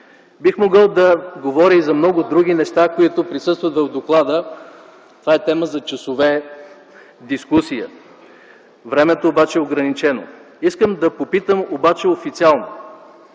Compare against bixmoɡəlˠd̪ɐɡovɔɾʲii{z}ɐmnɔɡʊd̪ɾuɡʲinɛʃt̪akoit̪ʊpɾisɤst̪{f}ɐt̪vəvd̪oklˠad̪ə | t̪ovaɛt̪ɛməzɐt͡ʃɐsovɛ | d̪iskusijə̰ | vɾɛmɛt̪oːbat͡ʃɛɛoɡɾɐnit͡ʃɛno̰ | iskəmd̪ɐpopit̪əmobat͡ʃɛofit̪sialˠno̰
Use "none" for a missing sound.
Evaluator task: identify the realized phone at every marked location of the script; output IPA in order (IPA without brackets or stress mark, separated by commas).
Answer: z, v